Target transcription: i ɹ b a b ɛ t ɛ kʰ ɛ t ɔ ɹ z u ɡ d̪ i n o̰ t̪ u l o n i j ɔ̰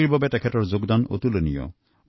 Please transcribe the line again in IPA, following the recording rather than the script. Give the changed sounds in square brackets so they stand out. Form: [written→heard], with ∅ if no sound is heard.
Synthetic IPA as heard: i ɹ b a b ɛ t ɛ kʰ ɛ t ɔ ɹ z [u→o] ɡ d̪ [i→a] n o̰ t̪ u l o n i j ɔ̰